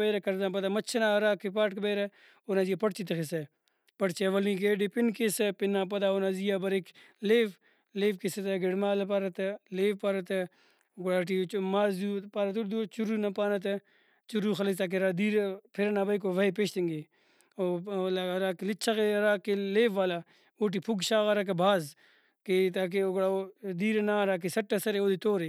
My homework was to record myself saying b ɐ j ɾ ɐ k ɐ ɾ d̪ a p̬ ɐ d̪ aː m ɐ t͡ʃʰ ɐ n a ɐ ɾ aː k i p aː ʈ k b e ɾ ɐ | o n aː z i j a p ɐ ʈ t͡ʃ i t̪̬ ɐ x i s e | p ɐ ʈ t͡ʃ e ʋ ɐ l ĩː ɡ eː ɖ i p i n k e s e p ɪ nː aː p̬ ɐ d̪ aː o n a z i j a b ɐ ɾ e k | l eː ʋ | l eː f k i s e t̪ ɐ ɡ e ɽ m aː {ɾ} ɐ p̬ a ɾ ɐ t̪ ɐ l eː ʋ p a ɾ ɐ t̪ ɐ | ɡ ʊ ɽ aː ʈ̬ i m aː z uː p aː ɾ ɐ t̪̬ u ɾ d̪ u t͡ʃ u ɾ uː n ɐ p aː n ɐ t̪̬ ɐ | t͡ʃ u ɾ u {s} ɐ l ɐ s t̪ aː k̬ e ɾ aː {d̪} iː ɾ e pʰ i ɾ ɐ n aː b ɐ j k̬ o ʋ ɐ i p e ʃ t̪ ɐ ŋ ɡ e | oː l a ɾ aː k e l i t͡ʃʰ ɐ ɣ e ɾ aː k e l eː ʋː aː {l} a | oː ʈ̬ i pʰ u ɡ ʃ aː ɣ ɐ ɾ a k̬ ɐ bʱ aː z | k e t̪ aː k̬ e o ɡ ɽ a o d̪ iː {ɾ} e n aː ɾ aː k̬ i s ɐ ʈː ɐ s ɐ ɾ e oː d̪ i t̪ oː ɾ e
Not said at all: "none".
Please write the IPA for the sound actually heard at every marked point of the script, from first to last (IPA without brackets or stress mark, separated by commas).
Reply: l, x, d̪, l, ɾ